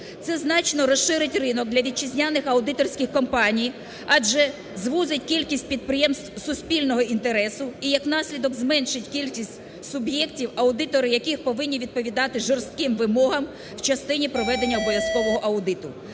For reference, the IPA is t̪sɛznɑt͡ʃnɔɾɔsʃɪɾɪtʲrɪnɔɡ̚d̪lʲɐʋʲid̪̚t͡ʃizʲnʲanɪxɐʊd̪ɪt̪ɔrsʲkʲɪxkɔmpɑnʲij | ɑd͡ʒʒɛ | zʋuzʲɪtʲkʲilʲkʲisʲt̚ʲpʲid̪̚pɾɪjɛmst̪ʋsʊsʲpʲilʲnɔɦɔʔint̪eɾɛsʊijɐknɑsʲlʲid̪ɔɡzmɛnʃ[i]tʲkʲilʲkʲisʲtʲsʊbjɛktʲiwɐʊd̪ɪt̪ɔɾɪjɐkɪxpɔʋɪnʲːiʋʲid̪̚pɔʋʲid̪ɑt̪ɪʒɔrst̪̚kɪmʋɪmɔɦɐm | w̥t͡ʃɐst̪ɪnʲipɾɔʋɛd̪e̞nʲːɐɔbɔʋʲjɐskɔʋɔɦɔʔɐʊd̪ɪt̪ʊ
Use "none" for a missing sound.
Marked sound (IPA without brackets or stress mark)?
ɪ